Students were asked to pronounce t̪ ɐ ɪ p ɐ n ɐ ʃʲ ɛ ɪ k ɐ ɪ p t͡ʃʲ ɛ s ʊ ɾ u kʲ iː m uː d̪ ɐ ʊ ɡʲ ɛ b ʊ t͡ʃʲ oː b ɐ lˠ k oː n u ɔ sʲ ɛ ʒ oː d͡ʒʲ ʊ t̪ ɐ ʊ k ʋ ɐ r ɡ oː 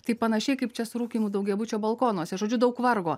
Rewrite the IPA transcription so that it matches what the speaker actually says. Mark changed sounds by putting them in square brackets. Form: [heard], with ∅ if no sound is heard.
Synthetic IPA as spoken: t̪ ɐ ɪ p ɐ n ɐ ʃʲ ɛ ɪ k ɐ ɪ p t͡ʃʲ ɛ s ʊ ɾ [uː] kʲ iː m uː d̪ ɐ ʊ ɡʲ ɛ b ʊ t͡ʃʲ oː b ɐ lˠ k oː n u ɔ sʲ ɛ ʒ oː d͡ʒʲ ʊ [d̪] ɐ ʊ k ʋ ɐ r ɡ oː